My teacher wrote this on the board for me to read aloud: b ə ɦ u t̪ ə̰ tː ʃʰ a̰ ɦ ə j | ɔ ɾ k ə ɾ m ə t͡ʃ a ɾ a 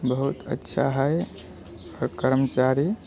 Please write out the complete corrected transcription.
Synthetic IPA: b ə ɦ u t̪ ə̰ tː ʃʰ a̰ ɦ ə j | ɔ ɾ k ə ɾ m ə t͡ʃ a ɾ i